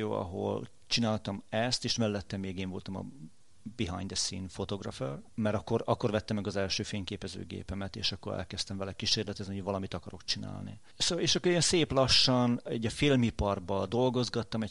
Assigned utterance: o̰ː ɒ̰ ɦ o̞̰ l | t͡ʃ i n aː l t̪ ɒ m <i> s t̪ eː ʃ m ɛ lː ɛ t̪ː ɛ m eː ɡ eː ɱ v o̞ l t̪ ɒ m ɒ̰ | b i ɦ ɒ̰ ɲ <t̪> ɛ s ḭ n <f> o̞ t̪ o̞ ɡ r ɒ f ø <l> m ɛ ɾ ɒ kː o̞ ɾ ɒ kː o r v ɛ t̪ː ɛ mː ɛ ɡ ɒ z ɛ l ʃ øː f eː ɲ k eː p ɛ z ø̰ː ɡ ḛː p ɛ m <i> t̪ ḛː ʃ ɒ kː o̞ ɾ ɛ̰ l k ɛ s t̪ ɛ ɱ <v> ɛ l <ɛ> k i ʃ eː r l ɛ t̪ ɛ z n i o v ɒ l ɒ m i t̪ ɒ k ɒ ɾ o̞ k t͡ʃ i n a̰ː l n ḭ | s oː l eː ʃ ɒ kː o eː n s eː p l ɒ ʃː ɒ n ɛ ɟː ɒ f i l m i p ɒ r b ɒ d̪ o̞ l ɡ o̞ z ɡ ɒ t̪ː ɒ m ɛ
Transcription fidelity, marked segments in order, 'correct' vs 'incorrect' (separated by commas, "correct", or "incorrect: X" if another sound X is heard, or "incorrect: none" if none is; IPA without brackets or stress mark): incorrect: ɛ, incorrect: d̪, correct, incorrect: r, incorrect: ɛ, correct, correct